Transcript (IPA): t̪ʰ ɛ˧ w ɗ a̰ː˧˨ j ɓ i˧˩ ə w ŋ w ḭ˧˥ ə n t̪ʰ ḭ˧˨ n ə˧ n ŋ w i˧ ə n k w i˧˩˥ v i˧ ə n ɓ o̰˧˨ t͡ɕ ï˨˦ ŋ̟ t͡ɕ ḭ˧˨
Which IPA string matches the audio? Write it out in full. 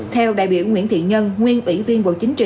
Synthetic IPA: t̪ʰ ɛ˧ w ɗ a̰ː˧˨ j ɓ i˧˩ ə w ŋ w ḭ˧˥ ə n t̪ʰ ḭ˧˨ ɲ ə˧ n ŋ w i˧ ə n ʔ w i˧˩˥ v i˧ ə n ɓ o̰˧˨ t͡ɕ ï˨˦ ŋ̟ t͡ɕ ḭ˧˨

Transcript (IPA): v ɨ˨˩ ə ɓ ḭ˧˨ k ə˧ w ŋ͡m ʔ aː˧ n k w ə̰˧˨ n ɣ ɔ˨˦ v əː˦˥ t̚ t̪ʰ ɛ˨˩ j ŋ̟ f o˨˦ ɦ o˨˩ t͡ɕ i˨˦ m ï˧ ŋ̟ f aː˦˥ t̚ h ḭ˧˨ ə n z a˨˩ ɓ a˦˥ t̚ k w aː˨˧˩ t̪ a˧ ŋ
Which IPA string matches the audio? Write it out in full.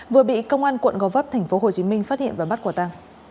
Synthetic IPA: v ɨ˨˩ ə ɓ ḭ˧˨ k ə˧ w ŋ͡m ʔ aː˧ n k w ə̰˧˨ n ɣ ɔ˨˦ v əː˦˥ p̚ t̪ʰ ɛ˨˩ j ŋ̟ f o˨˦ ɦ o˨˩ t͡ɕ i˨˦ m ï˧ ŋ̟ f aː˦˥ t̚ h ḭ˧˨ ə n v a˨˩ ɓ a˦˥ t̚ k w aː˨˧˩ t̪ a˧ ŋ

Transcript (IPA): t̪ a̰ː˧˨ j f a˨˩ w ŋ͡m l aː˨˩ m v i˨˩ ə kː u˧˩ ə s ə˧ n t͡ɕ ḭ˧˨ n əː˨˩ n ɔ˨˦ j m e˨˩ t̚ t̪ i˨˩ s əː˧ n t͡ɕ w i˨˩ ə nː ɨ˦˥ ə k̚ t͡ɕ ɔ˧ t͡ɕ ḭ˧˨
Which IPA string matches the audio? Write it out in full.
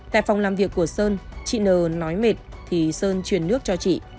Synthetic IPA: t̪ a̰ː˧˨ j f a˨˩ w ŋ͡m l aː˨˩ m v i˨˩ ə kː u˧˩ ə s əː˧ n t͡ɕ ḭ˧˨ n əː˨˩ n ɔ˨˦ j m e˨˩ t̚ t̪ʰ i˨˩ s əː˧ n t͡ɕ w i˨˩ ə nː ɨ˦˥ ə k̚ t͡ɕ ɔ˧ t͡ɕ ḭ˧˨

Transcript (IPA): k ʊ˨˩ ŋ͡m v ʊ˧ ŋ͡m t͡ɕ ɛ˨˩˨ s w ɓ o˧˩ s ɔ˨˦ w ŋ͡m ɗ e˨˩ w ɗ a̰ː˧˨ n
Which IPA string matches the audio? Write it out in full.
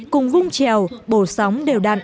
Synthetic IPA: k ʊ˨˩ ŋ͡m v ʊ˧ ŋ͡m t͡ɕ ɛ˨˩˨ w ɓ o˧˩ s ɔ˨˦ w ŋ͡m ɗ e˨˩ w ɗ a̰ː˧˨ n

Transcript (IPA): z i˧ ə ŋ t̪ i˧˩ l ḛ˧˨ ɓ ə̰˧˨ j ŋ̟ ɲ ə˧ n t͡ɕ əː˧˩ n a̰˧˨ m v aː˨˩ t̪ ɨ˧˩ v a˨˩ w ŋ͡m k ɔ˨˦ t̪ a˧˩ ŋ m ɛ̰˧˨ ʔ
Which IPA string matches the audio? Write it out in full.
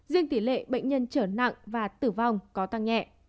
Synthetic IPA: z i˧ ə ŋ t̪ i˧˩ l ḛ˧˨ ɓ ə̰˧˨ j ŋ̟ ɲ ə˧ n t͡ɕ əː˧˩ n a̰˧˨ ŋ v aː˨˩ t̪ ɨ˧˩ v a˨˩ w ŋ͡m k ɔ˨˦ t̪ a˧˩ ŋ ɲ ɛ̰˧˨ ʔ

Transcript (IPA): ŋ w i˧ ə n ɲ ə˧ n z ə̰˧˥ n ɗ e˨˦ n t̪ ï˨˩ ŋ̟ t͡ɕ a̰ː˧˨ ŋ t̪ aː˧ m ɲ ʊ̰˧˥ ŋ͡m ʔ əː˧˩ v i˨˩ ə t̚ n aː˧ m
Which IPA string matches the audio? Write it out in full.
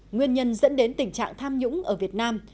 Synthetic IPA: ŋ w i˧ ə n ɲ ə˧ n z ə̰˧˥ n ɗ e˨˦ n t̪ ï˨˩ ŋ̟ t͡ɕ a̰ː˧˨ ŋ t̪ʰ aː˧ m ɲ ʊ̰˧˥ ŋ͡m ʔ əː˧˩ v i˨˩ ə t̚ n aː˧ m

